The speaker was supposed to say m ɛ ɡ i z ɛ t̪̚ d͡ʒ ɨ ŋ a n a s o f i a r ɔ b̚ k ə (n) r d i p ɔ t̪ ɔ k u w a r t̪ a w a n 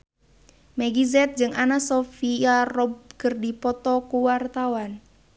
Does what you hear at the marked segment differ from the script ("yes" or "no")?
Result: yes